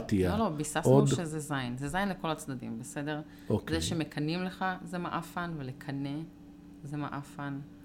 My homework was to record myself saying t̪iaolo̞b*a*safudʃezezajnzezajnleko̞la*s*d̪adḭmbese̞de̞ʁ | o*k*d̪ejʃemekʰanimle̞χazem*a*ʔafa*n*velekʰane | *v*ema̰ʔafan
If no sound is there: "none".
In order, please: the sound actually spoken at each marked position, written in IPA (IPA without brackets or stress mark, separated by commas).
i, t͡s, k, a, n, z